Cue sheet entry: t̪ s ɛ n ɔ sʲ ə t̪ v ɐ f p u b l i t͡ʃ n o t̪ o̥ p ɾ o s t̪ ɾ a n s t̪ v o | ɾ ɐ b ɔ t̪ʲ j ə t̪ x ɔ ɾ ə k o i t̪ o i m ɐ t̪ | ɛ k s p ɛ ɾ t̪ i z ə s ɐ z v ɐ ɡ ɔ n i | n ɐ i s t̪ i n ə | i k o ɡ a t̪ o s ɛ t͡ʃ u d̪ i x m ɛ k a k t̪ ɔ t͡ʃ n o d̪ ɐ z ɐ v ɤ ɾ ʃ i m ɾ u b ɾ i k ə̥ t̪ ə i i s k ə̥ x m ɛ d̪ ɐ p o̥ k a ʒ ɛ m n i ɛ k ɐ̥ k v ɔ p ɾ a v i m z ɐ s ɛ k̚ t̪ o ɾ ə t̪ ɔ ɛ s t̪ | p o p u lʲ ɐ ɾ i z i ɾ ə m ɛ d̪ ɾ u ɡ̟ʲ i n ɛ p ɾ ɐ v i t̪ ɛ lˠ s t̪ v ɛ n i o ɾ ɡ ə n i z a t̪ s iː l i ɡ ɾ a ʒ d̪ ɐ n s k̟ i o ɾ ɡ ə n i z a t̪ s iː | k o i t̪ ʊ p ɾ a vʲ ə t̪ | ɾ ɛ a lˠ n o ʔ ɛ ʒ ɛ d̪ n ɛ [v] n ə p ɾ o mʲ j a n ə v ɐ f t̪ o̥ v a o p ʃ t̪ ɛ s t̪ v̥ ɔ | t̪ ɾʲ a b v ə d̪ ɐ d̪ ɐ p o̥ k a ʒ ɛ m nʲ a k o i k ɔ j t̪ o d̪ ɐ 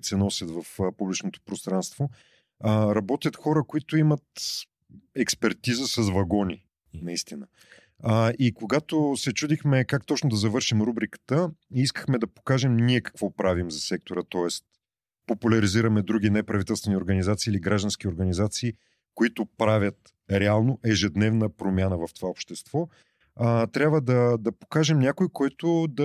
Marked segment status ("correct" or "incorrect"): correct